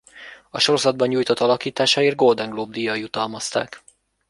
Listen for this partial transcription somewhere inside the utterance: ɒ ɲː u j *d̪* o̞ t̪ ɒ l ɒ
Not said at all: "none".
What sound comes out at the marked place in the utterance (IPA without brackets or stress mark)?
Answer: t̪